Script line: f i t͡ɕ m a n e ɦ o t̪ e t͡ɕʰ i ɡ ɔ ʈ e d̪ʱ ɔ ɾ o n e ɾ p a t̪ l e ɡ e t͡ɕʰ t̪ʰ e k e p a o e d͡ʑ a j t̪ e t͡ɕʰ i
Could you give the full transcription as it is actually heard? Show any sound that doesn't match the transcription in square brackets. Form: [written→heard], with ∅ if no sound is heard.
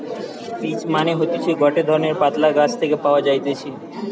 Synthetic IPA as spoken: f i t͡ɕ m a n e ɦ o t̪ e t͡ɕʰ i ɡ ɔ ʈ e d̪ʱ ɔ ɾ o n e ɾ p a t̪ l [e→a] ɡ [e→a] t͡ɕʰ t̪ʰ e k e p a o [e→a] d͡ʑ a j t̪ e t͡ɕʰ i